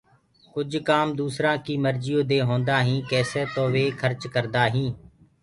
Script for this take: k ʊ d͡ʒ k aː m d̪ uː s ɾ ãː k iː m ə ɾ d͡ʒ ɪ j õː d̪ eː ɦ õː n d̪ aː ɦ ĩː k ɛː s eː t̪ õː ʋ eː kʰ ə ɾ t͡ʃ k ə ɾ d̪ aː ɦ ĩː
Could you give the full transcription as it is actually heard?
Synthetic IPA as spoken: k ʊ d͡ʒ k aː m d̪ uː s ɾ ãː k iː m ə ɾ d͡ʒ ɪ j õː d̪ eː ɦ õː n d̪ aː ɦ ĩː k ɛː s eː t̪ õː ʋ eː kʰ ə ɾ t͡ʃ k ə ɾ d̪ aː ɦ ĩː